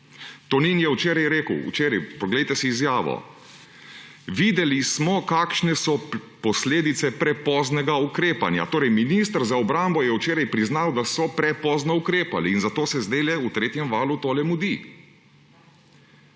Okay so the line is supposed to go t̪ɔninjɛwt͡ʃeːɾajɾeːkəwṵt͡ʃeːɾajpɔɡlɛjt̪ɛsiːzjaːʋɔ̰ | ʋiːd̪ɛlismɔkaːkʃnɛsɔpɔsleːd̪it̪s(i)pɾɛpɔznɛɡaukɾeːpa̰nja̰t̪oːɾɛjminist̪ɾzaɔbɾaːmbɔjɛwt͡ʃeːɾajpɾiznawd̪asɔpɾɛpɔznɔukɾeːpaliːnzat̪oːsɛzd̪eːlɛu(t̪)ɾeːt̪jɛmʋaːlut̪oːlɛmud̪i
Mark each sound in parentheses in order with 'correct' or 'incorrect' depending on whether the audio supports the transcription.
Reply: incorrect, correct

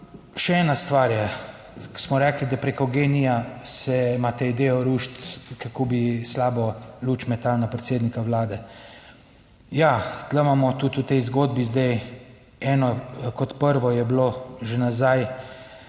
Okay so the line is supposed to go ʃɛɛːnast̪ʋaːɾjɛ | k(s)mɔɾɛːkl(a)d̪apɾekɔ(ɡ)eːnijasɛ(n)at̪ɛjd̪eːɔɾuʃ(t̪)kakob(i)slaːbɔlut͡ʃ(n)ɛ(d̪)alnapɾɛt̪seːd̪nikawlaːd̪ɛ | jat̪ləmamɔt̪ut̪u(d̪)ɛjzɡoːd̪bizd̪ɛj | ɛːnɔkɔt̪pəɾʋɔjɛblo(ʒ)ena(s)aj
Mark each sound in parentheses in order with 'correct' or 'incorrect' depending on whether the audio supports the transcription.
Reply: correct, incorrect, correct, incorrect, correct, correct, incorrect, incorrect, incorrect, correct, incorrect

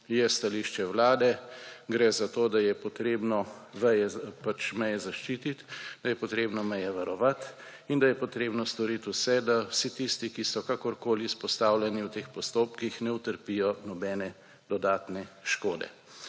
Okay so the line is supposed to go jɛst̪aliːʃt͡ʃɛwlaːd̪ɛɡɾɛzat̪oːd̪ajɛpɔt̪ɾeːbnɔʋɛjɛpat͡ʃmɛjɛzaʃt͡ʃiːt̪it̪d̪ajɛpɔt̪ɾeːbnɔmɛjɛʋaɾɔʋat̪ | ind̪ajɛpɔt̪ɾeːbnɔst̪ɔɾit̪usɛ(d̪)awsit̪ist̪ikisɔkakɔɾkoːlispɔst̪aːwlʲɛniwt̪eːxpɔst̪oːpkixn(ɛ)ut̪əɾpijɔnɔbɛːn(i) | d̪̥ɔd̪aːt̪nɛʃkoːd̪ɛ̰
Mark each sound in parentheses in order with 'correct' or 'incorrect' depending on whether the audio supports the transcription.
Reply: correct, correct, incorrect

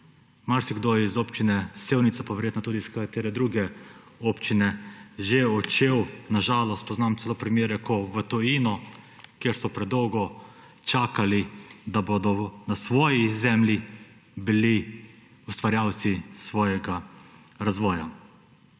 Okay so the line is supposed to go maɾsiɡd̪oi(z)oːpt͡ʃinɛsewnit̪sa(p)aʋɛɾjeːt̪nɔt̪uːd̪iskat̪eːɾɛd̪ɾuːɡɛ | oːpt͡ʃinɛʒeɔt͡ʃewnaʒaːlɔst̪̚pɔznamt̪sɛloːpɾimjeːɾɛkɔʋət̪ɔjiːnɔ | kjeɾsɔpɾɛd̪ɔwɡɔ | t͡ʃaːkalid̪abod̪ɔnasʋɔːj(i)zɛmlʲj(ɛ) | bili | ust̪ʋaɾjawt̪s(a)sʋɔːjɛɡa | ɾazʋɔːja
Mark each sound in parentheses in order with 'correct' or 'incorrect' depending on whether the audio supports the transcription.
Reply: correct, correct, correct, incorrect, incorrect

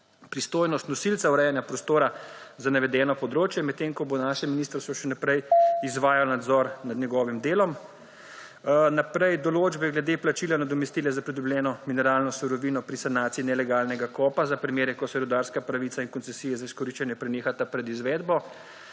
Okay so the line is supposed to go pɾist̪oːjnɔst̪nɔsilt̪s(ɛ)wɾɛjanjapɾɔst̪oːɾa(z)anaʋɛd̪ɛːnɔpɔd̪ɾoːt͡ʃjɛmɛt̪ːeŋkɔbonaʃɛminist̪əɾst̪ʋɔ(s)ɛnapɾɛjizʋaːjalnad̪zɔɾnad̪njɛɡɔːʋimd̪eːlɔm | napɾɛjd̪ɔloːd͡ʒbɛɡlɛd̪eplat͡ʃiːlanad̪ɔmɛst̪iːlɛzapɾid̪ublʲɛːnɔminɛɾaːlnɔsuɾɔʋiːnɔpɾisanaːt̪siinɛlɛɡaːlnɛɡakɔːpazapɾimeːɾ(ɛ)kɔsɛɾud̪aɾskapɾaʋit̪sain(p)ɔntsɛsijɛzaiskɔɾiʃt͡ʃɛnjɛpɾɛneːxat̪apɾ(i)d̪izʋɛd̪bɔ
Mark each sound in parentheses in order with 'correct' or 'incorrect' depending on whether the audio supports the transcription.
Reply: incorrect, correct, incorrect, correct, incorrect, incorrect

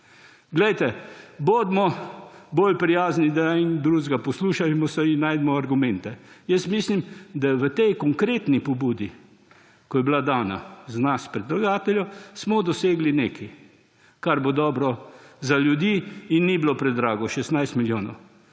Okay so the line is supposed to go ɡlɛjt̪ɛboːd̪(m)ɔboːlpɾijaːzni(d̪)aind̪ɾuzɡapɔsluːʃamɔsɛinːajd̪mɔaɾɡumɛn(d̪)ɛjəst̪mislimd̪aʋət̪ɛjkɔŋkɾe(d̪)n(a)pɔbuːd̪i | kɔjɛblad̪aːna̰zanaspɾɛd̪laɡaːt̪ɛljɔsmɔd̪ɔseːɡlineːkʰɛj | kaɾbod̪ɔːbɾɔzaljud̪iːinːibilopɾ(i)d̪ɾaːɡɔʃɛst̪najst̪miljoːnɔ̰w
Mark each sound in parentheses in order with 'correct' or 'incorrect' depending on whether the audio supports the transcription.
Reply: correct, correct, incorrect, incorrect, incorrect, incorrect

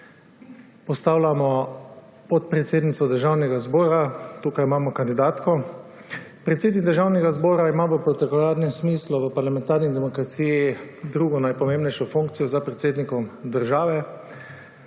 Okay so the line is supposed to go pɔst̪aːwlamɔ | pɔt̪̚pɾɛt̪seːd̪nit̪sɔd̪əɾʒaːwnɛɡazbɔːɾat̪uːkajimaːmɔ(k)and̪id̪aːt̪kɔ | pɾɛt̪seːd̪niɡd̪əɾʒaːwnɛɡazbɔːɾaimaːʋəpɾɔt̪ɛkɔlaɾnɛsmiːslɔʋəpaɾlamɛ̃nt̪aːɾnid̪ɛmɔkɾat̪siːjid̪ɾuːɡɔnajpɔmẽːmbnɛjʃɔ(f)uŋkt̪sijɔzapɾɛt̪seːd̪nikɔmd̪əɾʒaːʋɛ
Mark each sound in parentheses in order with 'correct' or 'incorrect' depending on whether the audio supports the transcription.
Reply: correct, correct

